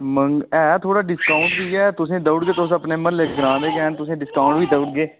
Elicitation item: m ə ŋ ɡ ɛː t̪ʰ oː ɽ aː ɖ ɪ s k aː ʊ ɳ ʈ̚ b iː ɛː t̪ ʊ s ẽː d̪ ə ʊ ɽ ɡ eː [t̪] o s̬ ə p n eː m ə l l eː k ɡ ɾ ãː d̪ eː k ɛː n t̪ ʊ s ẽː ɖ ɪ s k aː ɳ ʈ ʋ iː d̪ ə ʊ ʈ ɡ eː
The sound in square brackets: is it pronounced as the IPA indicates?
yes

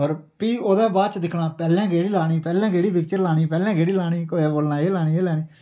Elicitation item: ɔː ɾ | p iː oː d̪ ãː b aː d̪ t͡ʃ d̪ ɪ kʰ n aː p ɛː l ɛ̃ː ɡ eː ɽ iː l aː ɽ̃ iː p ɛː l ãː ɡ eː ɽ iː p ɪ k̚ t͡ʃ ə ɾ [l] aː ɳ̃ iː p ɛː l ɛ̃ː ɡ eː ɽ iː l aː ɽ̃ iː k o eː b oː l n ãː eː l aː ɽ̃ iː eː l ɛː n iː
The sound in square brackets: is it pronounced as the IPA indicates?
yes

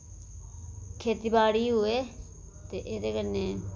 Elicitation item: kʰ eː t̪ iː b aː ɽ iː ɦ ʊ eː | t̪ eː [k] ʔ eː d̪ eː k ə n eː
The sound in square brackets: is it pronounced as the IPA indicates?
no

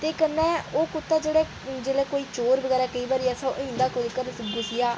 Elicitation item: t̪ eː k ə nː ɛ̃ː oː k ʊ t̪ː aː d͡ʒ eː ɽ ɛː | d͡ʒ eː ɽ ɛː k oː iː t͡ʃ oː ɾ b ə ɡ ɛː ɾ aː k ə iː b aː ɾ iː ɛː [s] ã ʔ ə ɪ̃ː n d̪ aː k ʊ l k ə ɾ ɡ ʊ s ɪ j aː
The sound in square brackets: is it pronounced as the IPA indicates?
yes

